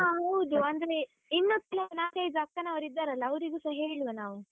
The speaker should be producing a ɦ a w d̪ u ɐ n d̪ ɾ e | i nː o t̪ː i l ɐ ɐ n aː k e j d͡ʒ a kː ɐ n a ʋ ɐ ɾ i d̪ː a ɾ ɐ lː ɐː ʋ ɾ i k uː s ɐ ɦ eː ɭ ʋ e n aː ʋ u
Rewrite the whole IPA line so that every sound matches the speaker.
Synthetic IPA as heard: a ɦ ɐ w d̪ u ɐ n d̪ ɾ e | i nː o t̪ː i l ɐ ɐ n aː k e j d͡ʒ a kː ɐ n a ʋ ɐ ɾ i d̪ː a ɾ ɐ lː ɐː ʋ ɾ i ɡ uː s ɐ ɦ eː ɭ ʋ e n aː ʋ u